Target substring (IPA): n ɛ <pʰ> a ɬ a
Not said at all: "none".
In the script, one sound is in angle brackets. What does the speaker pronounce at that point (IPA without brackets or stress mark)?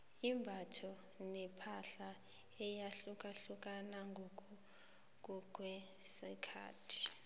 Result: pʰ